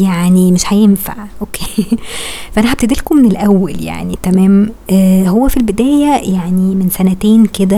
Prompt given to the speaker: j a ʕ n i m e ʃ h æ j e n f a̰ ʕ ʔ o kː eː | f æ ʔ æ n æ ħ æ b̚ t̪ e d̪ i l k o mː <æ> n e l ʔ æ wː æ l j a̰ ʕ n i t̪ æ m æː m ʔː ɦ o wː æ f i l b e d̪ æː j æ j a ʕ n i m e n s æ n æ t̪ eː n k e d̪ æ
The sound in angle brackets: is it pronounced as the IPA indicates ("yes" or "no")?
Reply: no